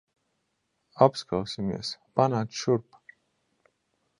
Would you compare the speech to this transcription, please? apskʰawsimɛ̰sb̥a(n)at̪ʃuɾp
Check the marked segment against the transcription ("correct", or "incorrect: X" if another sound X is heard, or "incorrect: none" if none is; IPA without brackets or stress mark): correct